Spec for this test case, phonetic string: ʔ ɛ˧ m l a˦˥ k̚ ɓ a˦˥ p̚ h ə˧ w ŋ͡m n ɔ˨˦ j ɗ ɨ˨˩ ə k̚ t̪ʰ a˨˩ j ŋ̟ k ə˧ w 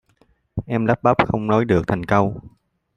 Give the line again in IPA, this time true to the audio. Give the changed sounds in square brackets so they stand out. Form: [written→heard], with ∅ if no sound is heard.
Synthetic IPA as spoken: ʔ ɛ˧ m l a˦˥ [k̚→p̚] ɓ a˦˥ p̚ [h→x] ə˧ w ŋ͡m n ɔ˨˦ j ɗ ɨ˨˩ ə k̚ t̪ʰ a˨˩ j ŋ̟ k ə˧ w